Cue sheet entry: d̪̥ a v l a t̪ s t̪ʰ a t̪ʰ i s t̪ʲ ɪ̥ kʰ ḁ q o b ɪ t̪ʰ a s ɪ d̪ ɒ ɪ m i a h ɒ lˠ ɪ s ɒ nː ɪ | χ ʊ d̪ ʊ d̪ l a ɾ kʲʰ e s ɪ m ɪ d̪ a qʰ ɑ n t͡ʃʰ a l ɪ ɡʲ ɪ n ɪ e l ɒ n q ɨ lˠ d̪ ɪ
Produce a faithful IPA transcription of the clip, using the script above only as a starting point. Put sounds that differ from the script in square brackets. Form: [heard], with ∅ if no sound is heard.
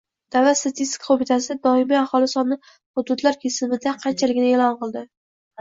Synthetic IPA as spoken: d̪̥ a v l a t̪ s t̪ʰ a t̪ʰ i s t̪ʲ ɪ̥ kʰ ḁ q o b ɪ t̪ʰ a s ɪ d̪ ɒ ɪ m i a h ɒ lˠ ɪ s ɒ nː ɪ | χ ʊ d̪ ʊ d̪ l a ɾ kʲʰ e s ɪ m ɪ d̪ a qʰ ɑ n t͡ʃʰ a l ɪ ɡʲ ɪ n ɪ e l ɒ n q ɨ lˠ d̪ ɪ